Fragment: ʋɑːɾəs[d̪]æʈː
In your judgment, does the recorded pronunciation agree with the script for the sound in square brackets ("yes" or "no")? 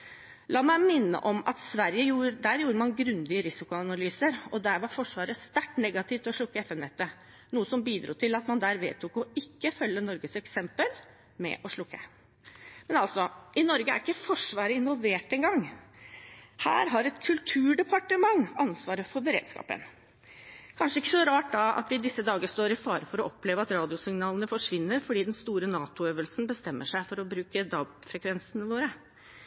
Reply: no